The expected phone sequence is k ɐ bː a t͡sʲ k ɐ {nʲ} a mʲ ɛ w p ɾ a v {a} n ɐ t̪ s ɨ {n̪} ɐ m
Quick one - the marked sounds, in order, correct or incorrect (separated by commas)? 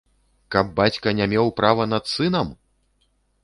correct, incorrect, correct